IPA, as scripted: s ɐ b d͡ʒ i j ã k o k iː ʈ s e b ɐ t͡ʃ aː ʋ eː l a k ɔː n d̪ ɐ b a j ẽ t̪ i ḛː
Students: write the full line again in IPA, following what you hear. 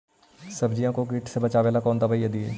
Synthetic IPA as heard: s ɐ b d͡ʒ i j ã k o k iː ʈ s e b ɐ t͡ʃ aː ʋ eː l a k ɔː n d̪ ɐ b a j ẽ d̪ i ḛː